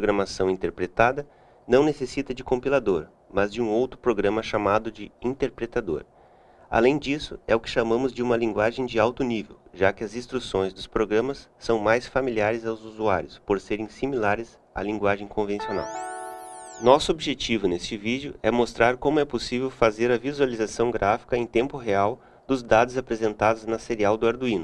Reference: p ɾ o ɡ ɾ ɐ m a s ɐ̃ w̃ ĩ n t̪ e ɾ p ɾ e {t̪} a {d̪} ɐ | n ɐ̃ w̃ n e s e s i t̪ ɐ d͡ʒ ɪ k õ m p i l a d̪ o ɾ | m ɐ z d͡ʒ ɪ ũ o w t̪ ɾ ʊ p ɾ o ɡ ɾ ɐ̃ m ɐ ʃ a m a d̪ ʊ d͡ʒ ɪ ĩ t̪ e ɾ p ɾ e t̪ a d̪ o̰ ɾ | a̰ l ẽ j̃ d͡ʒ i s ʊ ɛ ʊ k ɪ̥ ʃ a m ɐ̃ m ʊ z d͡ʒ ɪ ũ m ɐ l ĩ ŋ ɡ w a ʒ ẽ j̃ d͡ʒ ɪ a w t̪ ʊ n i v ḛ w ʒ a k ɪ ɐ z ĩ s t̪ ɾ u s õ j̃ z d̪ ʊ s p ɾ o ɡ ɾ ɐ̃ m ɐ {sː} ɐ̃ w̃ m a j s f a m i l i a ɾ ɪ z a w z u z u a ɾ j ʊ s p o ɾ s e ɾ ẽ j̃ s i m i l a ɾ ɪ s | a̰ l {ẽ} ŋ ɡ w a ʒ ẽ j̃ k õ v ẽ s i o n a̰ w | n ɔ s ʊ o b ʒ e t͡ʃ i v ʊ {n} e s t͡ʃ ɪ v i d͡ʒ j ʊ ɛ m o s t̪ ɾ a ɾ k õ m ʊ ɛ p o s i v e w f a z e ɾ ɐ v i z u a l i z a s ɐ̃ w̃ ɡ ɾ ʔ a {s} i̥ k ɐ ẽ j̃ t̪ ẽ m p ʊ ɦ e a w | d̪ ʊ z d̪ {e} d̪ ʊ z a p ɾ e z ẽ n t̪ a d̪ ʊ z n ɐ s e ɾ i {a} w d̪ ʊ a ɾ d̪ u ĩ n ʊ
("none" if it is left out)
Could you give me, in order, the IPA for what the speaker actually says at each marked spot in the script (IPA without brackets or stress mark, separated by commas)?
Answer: t̪, d̪, sː, ĩ, n, f, a, a